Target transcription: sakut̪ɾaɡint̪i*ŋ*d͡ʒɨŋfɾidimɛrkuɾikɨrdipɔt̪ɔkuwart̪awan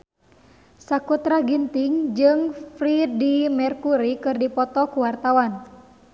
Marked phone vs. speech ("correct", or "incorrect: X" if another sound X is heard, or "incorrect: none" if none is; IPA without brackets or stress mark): correct